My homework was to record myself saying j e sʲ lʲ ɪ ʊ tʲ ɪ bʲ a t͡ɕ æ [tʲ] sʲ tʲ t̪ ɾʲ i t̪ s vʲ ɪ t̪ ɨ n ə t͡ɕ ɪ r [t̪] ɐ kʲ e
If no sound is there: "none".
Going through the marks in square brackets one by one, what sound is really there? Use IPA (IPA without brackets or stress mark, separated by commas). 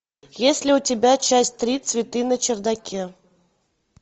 none, d̪